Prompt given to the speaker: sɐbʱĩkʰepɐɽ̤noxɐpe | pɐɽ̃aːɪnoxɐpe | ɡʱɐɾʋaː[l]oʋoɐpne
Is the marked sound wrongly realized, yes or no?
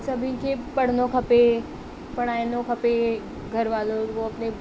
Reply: no